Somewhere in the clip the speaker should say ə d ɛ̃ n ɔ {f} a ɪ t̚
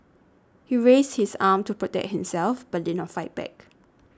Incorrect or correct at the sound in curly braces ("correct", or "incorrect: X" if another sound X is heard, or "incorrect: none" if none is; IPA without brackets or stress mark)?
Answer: correct